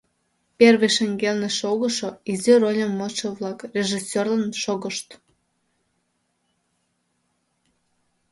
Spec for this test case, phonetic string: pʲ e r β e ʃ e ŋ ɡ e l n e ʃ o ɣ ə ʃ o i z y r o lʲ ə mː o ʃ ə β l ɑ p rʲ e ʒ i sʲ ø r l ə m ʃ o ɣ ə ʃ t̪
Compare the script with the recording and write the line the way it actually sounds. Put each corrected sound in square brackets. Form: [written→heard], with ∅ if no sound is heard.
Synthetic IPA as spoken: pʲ e r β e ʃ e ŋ ɡ e l n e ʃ o ɣ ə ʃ o i z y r o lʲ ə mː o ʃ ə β l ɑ [p→k] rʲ e ʒ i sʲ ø r l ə [m→n] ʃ o ɣ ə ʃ t̪